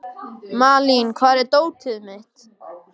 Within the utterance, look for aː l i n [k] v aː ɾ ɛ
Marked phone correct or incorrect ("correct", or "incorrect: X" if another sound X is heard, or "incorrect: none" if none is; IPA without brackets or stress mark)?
incorrect: kʰ